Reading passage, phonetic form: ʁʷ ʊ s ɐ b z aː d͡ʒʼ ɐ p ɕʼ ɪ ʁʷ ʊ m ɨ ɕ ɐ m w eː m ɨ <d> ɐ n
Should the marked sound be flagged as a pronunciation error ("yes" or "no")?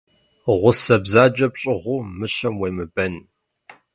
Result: yes